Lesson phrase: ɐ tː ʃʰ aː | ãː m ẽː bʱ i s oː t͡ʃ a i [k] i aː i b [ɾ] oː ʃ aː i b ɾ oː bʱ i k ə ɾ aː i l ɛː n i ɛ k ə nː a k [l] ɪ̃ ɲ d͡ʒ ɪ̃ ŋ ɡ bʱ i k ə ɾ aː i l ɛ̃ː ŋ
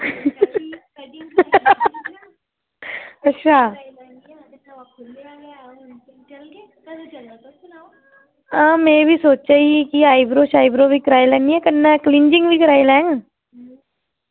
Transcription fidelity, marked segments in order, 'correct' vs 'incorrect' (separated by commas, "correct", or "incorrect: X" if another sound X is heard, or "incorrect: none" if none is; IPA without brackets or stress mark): correct, correct, correct